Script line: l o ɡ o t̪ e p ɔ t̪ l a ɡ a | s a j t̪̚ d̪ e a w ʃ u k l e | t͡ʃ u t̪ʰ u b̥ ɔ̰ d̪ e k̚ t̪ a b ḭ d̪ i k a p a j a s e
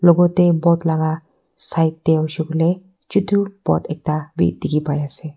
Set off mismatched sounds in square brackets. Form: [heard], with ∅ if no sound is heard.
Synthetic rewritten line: l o ɡ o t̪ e [b] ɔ t̪ l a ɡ a | s a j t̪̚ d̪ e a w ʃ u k l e | t͡ʃ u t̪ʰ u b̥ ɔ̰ [t̪] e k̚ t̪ a b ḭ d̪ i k [i] p a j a s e